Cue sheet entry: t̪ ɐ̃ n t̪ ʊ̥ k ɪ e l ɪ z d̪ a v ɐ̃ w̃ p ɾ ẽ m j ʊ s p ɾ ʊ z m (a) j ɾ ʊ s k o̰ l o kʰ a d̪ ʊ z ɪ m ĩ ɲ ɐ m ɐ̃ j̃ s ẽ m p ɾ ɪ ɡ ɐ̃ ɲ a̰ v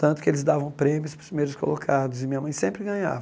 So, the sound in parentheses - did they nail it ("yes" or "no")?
no